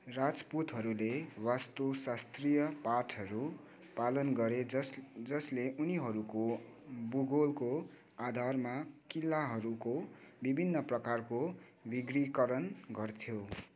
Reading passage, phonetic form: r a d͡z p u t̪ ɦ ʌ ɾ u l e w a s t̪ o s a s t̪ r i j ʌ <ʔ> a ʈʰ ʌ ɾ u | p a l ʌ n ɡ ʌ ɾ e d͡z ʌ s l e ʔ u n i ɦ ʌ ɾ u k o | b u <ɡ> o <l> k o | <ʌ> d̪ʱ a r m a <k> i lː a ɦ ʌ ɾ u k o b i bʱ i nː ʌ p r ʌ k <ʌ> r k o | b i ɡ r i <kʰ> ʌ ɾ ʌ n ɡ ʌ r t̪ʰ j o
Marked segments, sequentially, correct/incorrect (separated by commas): incorrect, correct, correct, incorrect, correct, incorrect, incorrect